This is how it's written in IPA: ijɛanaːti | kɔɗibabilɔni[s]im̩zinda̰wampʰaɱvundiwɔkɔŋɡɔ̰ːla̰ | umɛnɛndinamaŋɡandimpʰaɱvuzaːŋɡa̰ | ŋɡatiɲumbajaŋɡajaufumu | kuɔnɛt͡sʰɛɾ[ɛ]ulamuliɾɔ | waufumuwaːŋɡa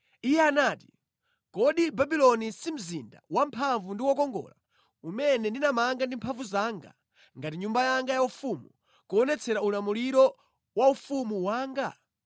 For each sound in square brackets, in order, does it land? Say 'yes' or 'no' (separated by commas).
yes, no